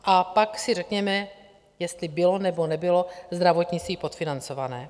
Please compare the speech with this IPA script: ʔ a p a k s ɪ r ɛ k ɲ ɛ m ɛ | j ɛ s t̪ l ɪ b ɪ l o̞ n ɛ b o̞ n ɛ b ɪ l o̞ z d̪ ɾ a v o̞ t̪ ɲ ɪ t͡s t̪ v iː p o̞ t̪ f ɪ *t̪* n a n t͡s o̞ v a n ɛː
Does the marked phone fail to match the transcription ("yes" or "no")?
yes